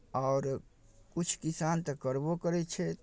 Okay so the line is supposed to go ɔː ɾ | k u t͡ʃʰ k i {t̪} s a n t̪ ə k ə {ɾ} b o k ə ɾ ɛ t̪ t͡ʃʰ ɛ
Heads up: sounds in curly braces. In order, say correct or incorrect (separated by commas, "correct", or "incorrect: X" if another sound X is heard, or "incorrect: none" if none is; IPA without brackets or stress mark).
incorrect: none, correct